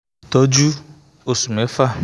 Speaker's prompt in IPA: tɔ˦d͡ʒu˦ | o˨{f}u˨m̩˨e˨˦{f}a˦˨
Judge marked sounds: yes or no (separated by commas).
no, yes